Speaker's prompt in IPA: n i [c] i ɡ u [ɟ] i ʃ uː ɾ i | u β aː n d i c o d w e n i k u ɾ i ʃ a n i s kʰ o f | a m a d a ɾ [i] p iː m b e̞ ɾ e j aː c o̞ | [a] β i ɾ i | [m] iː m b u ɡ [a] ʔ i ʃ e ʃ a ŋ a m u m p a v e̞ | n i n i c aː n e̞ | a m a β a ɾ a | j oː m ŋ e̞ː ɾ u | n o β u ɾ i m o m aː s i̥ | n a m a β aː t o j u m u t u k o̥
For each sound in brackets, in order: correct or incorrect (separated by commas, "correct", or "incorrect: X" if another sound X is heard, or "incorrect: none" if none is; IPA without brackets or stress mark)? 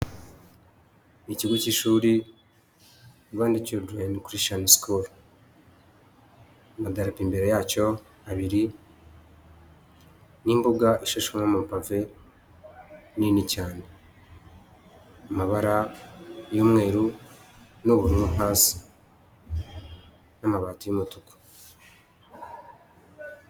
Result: correct, incorrect: c, incorrect: a, correct, incorrect: n, correct